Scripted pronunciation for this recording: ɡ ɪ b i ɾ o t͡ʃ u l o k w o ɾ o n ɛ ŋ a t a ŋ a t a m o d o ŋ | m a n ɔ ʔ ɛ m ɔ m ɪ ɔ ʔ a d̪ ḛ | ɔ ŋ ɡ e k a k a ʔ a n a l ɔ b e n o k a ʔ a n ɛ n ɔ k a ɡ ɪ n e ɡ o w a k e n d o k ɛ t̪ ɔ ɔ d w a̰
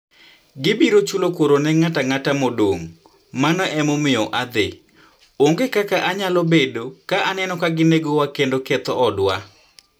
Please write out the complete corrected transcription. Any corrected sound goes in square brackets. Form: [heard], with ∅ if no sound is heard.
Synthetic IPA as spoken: ɡ ɪ b i ɾ o t͡ʃ u l o k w o ɾ o n ɛ ŋ a t a ŋ a t a m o d o ŋ | m a n ɔ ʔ ɛ m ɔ m ɪ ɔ ʔ a d̪ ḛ | [o] ŋ ɡ e k a k a ʔ a [ɲ] a l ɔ b e [d] o k a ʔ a n ɛ n ɔ k a ɡ ɪ n e ɡ o w a k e n d o k ɛ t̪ ɔ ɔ d w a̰